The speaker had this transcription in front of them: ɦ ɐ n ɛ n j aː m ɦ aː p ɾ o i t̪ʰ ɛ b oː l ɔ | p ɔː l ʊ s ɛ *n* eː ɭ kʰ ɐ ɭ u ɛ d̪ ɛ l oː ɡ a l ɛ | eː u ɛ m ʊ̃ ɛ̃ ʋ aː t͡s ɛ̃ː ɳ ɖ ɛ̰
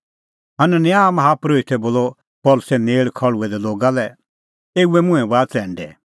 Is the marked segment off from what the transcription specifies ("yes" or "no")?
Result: no